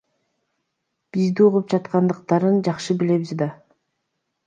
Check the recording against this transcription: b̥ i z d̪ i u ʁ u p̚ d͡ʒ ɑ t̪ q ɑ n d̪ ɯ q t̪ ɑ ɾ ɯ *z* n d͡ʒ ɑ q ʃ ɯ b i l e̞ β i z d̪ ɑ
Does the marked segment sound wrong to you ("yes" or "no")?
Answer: yes